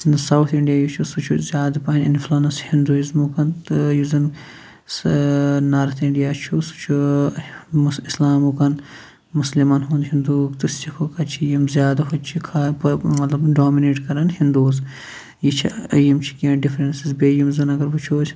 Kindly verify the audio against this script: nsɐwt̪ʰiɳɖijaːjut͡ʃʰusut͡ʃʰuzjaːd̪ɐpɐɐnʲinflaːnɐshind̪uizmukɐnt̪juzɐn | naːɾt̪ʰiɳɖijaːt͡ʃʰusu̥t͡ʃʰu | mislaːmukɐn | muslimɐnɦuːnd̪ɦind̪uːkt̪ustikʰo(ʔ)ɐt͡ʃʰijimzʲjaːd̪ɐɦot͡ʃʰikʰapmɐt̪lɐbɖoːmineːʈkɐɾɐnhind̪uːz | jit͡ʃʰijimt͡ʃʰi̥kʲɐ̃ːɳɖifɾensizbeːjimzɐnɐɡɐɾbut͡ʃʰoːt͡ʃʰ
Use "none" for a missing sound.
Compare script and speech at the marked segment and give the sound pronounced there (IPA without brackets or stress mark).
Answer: k